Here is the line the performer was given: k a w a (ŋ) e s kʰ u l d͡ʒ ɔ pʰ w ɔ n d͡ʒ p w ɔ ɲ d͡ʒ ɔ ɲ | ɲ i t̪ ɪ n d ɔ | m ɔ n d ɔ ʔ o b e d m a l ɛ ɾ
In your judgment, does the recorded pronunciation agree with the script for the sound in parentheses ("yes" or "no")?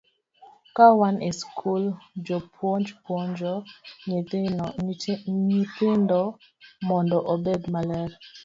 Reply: no